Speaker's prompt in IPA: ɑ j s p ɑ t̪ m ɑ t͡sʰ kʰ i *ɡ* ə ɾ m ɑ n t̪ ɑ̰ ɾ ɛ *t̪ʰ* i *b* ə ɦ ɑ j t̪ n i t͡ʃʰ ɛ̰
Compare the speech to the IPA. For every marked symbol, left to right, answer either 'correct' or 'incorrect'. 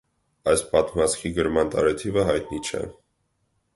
correct, correct, incorrect

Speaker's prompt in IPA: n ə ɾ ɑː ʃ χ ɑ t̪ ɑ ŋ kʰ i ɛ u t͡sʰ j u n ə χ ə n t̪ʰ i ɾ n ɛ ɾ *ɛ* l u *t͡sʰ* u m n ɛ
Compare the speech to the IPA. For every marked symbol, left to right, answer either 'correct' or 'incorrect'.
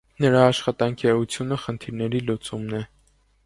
incorrect, incorrect

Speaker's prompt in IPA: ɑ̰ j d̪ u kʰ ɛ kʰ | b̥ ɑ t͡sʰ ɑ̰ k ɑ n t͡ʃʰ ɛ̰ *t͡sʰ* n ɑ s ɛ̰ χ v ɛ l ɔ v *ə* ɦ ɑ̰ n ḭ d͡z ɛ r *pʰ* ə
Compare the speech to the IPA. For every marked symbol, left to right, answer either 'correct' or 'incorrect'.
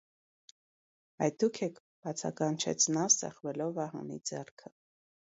correct, incorrect, incorrect

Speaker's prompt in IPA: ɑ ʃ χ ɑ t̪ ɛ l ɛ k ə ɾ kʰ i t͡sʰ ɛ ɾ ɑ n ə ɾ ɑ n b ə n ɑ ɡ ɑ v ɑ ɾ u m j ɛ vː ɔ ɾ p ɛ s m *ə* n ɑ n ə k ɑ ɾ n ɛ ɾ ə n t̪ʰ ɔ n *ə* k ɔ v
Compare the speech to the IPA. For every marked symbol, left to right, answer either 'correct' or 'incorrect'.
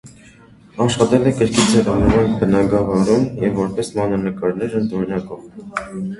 incorrect, incorrect

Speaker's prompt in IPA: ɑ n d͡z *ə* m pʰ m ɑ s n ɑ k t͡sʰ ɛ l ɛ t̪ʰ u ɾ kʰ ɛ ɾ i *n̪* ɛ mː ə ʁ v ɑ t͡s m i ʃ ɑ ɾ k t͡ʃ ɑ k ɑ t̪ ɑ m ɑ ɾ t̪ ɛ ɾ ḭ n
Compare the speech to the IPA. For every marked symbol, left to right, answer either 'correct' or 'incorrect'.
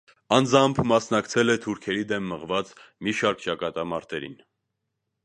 incorrect, incorrect

